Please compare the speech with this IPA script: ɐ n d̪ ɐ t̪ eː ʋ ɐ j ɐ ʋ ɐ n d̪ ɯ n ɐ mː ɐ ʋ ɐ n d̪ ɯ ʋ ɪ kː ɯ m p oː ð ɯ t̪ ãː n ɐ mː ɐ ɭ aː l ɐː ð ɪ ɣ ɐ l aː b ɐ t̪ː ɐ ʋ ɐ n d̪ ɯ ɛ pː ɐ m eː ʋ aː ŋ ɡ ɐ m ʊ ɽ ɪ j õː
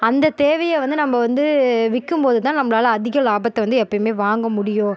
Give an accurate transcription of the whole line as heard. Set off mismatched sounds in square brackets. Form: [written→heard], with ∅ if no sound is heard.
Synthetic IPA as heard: ɐ n d̪ ɐ t̪ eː ʋ ɐ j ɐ ʋ ɐ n d̪ ɯ n ɐ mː ɐ ʋ ɐ n d̪ ɯ ʋ ɪ kː ɯ m p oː ð ɯ t̪ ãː n ɐ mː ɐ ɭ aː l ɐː ð ɪ ɣ ɐ l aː b ɐ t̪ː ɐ ʋ ɐ n d̪ ɯ ɛ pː ɐ m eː ʋ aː ŋ ɡ ɐ m ʊ ɽ ɪ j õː